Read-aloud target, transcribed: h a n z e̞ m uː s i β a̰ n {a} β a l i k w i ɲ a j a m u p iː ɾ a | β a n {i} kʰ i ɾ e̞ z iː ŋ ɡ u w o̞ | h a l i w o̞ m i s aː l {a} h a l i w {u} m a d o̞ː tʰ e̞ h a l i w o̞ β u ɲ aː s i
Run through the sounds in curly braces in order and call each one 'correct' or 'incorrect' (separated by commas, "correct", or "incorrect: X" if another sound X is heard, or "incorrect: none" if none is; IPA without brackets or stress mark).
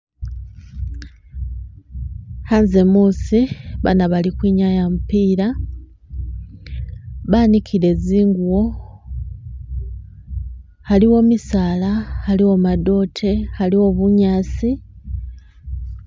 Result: correct, correct, correct, incorrect: o